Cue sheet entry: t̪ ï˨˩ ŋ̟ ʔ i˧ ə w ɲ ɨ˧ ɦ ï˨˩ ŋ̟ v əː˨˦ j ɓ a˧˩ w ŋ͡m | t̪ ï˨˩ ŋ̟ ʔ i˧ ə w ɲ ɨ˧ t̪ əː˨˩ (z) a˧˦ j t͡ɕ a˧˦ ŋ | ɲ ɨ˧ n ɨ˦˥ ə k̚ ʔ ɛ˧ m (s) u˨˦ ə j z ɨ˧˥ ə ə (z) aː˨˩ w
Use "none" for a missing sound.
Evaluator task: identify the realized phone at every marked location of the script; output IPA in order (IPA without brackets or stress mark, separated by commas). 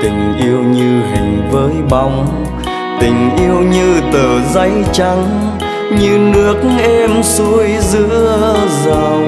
z, s, z